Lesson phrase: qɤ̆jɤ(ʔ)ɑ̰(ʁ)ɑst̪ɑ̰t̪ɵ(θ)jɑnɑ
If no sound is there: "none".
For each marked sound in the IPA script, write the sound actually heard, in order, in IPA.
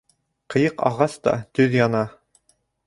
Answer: q, ʁ, ð

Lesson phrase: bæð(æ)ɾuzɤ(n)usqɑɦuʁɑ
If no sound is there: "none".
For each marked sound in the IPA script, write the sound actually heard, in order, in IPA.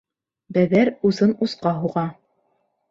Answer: æ, n

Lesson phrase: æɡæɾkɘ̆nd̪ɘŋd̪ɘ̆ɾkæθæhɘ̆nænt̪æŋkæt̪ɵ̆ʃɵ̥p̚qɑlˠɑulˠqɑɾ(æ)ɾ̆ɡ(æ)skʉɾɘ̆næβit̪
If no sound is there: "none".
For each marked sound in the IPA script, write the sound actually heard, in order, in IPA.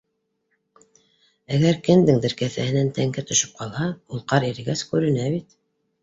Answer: i, æ

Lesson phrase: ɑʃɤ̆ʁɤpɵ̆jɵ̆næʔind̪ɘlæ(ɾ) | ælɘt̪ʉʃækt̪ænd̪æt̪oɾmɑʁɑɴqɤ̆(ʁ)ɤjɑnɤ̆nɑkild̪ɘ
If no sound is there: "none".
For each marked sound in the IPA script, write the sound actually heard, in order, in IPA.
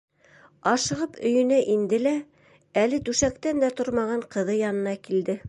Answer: none, ð

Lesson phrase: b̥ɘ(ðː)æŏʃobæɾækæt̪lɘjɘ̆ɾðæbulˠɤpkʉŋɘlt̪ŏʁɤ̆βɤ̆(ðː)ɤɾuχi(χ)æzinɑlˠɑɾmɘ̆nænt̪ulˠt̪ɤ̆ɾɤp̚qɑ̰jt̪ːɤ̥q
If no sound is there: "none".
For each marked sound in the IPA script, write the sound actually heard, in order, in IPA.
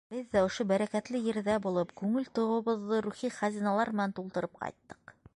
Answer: ðː, ðː, χ

